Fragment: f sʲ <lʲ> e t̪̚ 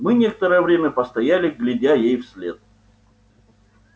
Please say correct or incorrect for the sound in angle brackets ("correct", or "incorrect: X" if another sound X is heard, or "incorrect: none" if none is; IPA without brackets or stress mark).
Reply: correct